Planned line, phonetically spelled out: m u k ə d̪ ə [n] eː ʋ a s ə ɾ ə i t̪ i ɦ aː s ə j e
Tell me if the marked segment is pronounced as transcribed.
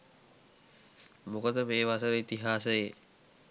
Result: no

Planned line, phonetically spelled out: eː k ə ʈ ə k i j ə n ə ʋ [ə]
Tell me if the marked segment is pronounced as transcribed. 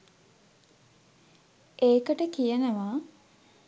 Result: no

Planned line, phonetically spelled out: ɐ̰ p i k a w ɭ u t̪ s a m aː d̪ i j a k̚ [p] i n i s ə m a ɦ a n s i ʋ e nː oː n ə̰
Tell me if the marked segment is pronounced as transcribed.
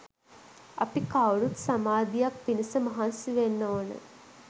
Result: yes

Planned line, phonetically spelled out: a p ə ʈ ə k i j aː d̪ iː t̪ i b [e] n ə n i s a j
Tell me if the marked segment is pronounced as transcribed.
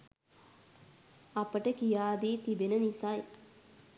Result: yes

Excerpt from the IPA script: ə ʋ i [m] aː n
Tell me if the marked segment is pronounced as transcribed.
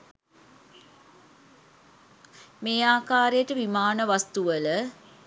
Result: yes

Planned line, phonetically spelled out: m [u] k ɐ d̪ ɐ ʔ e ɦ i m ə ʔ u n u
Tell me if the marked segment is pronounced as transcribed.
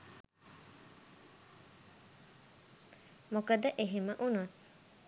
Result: no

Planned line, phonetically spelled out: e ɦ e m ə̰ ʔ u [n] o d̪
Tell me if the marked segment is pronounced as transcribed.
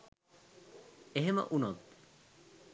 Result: yes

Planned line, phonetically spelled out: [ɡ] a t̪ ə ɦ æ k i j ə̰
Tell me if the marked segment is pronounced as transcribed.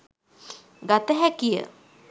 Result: yes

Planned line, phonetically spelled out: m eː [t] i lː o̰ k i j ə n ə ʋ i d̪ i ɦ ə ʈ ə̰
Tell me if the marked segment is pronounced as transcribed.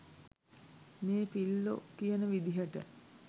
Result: no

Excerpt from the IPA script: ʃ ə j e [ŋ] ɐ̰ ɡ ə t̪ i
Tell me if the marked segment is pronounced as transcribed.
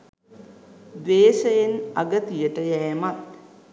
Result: no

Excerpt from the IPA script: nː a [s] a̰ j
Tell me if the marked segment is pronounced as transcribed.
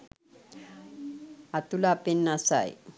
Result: yes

